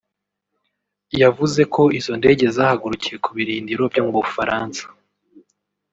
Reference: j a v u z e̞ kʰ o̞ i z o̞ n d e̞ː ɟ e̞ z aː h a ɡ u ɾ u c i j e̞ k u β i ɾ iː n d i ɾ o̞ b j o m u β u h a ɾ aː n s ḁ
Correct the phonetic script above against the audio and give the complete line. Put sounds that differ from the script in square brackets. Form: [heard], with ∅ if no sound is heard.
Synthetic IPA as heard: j a v u z e̞ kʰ o̞ i z o̞ n d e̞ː ɟ e̞ z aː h a ɡ u ɾ u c i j e̞ k u β i ɾ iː n d i ɾ o̞ b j o m u β u [f] a ɾ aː n s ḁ